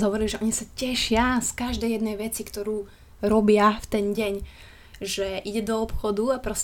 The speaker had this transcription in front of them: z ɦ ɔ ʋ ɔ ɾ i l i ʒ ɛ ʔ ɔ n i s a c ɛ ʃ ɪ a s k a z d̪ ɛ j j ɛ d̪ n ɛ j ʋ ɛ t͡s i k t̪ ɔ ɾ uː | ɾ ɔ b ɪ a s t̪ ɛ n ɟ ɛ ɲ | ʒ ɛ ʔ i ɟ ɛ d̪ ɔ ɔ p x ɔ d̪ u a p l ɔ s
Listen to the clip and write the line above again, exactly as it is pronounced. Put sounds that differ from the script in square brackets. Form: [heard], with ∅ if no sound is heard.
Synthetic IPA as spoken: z ɦ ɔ ʋ ɔ ɾ i l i ʒ ɛ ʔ ɔ [ɲ] i s a c ɛ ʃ ɪ a s k a [ʒ] d̪ ɛ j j ɛ d̪ n ɛ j ʋ ɛ t͡s i k t̪ ɔ ɾ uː | ɾ ɔ b ɪ a [f] t̪ ɛ n ɟ ɛ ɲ | ʒ ɛ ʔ i ɟ ɛ d̪ ɔ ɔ p x ɔ d̪ u a p [ɾ] ɔ s